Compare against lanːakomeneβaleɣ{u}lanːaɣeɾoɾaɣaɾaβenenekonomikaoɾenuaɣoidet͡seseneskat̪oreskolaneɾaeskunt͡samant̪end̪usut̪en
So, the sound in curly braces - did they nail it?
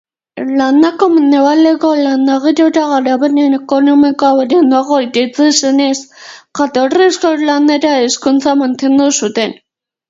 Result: no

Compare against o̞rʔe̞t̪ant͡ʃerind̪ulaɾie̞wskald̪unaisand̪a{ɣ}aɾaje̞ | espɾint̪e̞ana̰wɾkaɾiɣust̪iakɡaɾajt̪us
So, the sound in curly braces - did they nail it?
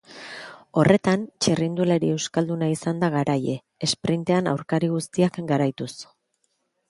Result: yes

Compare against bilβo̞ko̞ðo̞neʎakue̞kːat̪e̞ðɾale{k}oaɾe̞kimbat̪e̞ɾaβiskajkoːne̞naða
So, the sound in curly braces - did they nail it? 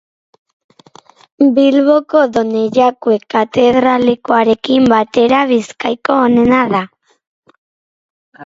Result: yes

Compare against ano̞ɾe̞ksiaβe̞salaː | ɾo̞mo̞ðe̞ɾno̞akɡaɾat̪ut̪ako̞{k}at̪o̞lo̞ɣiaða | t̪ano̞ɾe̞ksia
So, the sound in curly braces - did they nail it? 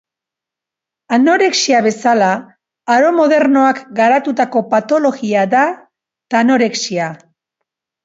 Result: no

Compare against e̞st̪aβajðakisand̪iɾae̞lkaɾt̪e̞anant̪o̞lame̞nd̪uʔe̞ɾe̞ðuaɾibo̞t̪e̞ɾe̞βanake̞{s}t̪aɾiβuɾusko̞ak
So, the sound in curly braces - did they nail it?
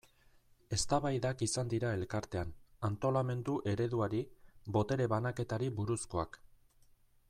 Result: no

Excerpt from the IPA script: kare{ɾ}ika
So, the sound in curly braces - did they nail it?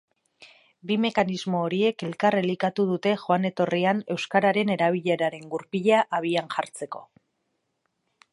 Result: no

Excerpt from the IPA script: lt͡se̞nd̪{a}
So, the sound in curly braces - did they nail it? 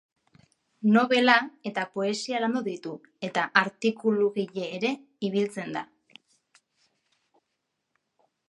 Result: yes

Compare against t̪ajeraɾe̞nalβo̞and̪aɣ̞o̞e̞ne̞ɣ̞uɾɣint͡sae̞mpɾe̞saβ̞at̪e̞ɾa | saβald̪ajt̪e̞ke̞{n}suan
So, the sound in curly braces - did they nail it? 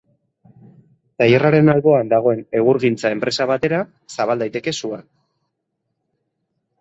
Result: no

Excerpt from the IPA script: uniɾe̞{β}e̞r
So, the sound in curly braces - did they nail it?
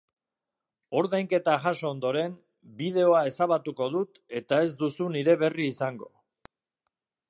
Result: yes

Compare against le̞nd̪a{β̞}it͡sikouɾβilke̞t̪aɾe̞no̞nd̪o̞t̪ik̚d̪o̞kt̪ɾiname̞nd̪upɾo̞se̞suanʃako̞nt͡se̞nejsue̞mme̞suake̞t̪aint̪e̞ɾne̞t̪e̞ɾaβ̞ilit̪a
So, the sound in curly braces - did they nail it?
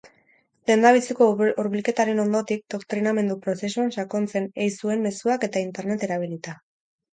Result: yes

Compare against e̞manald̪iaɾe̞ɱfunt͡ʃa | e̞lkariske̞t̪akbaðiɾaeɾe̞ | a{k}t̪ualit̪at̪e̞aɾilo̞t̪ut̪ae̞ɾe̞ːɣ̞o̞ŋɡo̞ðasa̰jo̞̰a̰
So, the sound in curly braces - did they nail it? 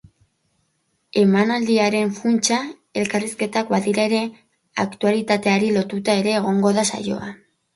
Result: yes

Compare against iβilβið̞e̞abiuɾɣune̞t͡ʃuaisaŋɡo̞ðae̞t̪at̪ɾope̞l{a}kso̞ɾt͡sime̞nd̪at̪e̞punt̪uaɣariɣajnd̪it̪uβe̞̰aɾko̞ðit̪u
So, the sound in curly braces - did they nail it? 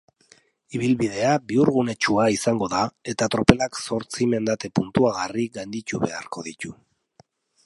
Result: yes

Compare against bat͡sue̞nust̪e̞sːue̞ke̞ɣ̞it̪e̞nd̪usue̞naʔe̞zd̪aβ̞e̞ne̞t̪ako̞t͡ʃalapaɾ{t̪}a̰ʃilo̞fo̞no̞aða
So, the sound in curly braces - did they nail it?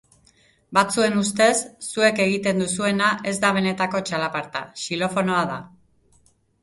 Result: yes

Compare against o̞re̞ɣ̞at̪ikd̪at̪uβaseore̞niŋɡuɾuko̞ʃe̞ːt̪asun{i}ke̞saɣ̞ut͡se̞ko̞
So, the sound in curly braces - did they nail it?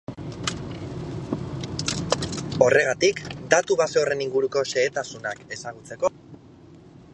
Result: no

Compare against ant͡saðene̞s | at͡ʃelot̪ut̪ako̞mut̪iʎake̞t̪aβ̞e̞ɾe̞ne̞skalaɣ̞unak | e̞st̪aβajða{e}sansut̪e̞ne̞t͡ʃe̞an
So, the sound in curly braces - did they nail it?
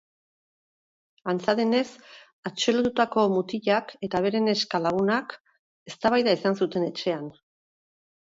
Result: no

